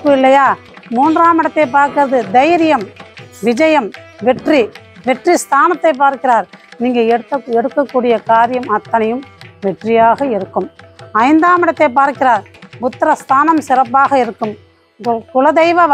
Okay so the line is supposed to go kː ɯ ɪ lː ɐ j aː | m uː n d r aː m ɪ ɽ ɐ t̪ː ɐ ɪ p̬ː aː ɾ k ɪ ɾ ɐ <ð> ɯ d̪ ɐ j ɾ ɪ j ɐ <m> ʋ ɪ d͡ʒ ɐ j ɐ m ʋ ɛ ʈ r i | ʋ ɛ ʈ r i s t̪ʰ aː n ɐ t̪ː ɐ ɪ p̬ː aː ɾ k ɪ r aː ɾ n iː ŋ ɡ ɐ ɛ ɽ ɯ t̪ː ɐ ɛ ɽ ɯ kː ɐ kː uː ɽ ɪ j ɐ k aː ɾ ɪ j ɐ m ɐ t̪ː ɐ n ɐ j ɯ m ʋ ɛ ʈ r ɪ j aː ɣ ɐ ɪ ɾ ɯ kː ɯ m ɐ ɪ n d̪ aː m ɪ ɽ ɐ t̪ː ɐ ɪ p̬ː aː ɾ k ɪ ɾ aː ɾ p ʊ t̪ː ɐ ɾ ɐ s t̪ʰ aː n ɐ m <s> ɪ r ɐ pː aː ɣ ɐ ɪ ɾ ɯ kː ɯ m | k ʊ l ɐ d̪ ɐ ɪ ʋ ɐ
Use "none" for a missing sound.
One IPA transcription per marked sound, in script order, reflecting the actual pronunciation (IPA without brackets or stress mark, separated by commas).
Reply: ð, m, s